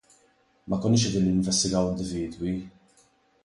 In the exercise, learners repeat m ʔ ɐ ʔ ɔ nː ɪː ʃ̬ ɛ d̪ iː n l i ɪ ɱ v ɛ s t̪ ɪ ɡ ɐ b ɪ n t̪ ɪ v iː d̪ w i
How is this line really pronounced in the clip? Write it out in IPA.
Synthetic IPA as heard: m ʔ ɐ k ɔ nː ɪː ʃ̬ ɛ d̪ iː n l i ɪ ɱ v ɛ s t̪ ɪ ɡ ɐ w ɪ n d̪ ɪ v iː d̪ w i